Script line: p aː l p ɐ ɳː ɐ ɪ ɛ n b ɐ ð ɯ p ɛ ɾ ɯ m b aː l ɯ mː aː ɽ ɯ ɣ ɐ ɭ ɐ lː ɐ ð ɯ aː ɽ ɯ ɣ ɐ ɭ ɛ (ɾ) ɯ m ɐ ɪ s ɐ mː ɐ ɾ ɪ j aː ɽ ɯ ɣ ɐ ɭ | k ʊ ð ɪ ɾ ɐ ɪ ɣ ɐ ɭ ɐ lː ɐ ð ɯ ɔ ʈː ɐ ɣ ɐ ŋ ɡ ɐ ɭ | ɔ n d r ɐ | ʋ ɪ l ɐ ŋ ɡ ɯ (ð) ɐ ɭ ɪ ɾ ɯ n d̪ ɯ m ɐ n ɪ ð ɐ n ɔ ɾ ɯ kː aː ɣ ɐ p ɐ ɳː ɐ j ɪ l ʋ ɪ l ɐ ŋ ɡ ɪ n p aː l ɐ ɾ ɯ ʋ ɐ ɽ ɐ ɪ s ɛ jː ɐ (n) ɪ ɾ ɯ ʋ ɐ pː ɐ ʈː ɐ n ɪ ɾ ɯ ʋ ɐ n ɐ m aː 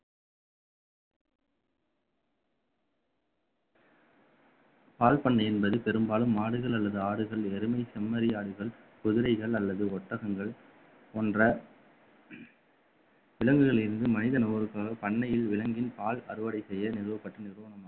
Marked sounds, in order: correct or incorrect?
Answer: correct, incorrect, correct

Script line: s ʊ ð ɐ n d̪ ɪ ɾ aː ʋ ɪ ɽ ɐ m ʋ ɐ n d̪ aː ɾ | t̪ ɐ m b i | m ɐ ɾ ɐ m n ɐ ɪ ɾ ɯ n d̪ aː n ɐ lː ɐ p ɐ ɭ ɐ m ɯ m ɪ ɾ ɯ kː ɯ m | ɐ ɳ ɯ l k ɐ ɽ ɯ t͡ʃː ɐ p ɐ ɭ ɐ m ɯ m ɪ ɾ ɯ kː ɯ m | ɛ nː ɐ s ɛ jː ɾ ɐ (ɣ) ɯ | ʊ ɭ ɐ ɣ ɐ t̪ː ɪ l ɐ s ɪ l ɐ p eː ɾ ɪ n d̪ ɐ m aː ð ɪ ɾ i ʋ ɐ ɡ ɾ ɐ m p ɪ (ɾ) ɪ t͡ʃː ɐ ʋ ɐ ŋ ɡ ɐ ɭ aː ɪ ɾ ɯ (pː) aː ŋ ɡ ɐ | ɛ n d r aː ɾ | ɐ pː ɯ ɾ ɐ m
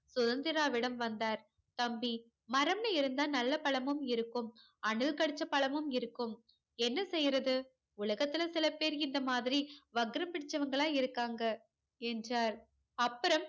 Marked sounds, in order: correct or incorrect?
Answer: incorrect, incorrect, incorrect

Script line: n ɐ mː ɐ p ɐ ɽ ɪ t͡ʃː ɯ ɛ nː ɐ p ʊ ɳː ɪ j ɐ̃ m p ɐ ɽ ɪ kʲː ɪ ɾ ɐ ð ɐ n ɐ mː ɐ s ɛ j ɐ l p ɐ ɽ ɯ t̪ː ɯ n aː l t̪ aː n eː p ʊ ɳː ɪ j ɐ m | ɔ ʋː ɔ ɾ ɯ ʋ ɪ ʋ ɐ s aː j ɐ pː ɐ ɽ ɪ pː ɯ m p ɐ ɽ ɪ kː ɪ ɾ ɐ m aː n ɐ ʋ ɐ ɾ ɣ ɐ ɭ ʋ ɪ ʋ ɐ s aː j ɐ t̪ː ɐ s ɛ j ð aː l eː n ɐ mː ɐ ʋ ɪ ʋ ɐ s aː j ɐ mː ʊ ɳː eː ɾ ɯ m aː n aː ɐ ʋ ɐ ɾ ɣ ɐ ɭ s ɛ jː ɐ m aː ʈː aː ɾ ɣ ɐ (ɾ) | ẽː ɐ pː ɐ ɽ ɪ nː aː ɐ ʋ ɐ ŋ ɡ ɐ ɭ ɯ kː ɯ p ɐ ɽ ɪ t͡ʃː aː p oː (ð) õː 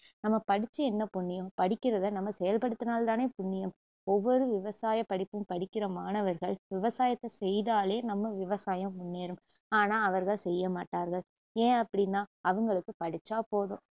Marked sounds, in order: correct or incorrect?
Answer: incorrect, correct

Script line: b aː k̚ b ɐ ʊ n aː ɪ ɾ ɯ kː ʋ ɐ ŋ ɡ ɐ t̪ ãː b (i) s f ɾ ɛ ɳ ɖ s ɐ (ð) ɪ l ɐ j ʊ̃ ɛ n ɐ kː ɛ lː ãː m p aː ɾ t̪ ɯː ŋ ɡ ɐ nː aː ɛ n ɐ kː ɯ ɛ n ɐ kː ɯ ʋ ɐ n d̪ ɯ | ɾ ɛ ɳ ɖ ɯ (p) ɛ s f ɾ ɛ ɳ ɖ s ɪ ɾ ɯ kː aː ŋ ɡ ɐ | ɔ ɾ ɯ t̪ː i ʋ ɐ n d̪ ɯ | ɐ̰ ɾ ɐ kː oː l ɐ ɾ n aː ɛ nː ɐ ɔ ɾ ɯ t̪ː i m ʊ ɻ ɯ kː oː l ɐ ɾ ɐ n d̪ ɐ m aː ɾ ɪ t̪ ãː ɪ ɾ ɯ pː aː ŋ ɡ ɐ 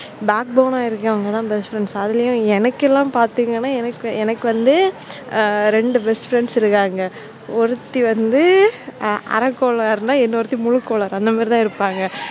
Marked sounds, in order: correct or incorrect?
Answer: incorrect, correct, incorrect

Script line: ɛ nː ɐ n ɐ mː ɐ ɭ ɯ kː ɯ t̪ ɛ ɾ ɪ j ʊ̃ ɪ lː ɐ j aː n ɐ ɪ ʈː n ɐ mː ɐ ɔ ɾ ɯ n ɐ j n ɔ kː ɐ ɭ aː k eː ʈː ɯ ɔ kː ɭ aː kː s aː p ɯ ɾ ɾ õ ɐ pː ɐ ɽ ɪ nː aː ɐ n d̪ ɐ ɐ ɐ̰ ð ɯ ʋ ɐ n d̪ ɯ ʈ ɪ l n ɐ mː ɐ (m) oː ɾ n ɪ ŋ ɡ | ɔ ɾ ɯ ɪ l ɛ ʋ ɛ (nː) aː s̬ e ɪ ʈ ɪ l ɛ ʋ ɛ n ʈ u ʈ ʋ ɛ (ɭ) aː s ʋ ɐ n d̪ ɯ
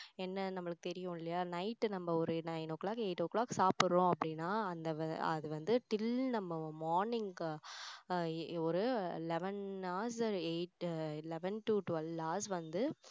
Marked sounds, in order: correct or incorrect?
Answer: correct, incorrect, incorrect

